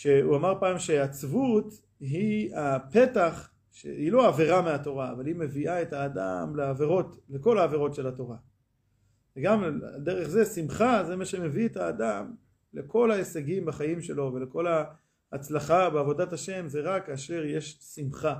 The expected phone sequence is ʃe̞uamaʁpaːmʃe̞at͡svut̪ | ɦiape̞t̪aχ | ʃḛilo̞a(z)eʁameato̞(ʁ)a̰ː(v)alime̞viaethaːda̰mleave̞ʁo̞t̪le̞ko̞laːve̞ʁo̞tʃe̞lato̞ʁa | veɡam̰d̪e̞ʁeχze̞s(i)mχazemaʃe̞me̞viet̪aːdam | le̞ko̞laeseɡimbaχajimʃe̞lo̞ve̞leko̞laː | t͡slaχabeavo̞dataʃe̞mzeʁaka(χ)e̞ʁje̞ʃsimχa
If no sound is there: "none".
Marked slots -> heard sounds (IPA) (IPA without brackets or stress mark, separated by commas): v, ʁ, v, i, ʃ